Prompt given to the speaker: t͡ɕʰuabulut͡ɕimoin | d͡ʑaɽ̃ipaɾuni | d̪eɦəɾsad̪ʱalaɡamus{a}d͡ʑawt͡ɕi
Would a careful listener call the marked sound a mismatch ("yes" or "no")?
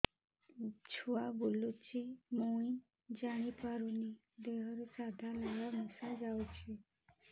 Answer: no